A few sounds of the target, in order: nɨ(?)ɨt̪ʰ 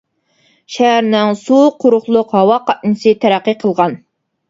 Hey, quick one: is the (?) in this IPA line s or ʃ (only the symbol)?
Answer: s